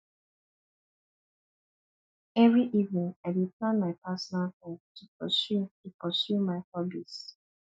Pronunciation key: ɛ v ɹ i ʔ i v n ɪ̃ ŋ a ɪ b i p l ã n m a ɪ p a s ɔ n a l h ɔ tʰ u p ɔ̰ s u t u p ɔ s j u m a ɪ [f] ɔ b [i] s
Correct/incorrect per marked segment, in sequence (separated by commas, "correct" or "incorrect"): incorrect, correct